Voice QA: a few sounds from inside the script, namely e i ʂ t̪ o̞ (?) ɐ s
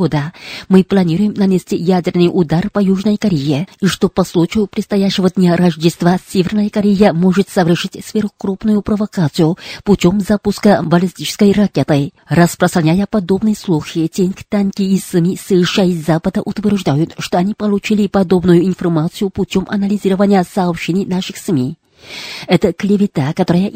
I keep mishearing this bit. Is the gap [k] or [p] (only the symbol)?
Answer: p